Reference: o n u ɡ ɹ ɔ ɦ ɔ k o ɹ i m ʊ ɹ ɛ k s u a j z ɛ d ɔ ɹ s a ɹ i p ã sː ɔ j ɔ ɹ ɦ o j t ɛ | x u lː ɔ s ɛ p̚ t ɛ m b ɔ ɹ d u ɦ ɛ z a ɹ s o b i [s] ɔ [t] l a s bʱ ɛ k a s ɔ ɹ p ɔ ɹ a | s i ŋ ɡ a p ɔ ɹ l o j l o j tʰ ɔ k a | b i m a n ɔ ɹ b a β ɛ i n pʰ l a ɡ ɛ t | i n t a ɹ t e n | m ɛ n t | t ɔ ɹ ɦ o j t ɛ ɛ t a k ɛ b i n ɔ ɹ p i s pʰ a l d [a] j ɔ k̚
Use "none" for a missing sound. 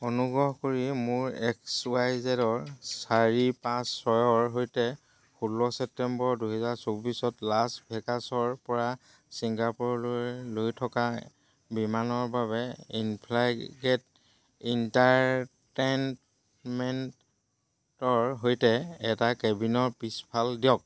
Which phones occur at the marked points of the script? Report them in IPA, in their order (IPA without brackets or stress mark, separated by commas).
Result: s, t, i